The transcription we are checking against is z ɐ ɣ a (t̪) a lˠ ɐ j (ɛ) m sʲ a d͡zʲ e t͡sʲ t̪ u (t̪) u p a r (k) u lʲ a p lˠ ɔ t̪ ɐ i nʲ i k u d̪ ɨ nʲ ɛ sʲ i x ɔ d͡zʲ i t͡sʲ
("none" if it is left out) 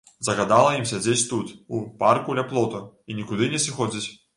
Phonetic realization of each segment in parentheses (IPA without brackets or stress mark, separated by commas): d̪, i, t̪, k